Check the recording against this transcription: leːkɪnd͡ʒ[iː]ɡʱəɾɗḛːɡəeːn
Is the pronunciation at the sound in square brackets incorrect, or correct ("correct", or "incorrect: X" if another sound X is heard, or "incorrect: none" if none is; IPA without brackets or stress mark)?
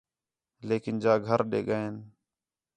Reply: incorrect: aː